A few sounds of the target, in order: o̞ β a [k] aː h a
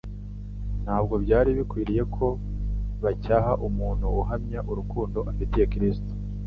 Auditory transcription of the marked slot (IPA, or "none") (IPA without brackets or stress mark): c